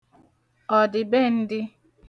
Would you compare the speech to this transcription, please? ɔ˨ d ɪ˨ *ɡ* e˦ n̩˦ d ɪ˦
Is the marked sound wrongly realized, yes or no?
yes